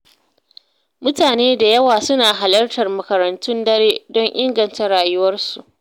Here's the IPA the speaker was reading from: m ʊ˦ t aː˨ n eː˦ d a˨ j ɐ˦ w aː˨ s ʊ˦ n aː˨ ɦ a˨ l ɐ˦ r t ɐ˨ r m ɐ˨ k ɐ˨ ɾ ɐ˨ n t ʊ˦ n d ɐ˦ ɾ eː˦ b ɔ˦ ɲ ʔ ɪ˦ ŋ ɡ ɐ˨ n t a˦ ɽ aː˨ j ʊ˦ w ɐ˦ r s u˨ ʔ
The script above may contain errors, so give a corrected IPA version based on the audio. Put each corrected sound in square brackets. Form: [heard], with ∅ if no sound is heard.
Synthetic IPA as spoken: m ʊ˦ t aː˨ n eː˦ d a˨ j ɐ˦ w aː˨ s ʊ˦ n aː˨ ɦ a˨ l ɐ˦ r t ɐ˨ r m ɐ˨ k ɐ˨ ɾ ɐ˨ n t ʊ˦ n d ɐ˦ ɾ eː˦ [d] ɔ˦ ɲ ʔ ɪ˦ ŋ ɡ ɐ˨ n t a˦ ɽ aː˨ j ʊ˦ w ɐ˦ r s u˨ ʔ